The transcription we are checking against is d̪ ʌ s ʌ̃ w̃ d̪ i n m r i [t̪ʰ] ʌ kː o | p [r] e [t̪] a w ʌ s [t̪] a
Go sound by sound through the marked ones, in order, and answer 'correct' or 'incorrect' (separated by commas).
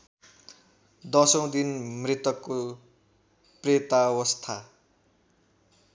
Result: incorrect, correct, correct, incorrect